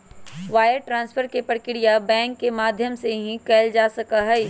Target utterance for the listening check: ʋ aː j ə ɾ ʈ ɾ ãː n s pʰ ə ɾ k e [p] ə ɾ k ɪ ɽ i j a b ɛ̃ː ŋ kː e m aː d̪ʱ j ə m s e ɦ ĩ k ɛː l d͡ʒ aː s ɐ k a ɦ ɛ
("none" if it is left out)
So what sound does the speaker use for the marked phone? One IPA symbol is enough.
p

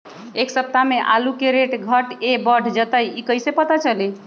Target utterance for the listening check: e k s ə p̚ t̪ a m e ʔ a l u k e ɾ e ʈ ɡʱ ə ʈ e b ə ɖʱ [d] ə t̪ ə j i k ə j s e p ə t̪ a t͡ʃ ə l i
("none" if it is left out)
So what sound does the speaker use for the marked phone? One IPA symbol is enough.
d͡ʒ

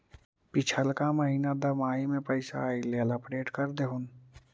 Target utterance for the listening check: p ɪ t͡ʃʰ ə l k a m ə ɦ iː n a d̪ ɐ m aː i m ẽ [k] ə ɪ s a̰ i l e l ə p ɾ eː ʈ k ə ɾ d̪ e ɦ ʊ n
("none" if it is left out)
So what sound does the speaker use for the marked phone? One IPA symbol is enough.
p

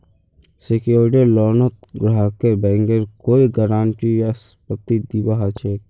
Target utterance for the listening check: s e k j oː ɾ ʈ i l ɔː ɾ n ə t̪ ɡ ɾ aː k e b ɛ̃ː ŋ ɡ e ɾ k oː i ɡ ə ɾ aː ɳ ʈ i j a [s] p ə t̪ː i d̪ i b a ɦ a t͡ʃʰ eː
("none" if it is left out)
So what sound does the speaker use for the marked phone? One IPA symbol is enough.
s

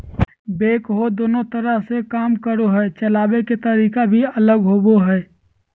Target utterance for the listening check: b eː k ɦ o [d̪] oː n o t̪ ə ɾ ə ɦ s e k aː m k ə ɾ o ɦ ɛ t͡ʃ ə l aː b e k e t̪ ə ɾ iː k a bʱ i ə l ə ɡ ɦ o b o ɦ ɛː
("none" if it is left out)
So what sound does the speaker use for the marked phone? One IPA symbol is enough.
d̪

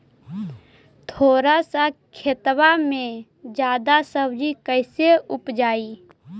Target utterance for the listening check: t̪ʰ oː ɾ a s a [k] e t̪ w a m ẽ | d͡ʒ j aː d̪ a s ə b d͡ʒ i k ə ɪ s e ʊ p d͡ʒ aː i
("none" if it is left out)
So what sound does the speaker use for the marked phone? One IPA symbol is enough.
kʰ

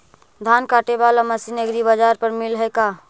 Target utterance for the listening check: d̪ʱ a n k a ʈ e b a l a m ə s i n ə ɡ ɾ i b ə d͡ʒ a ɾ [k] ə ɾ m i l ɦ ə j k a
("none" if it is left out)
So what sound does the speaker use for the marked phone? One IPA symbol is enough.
p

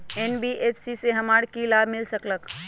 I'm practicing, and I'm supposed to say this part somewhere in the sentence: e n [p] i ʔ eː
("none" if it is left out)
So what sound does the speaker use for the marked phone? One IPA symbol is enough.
b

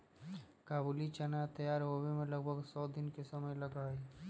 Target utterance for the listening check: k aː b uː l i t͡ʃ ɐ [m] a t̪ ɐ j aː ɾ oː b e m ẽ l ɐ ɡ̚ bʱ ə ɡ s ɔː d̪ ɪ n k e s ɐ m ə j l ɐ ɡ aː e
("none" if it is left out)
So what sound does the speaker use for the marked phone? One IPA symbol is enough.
n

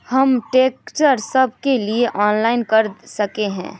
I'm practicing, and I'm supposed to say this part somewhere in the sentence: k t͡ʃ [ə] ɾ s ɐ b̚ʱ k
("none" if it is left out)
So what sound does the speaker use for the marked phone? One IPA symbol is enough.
ə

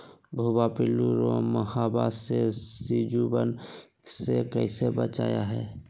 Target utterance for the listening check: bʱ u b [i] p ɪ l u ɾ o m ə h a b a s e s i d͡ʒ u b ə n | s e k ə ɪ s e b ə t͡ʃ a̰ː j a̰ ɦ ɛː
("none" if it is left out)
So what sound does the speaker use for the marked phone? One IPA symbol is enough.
a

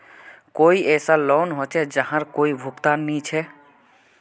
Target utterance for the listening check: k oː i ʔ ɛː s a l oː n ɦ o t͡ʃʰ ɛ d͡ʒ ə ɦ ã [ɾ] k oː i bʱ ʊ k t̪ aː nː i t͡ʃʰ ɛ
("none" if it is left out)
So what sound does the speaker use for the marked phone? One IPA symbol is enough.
ɾ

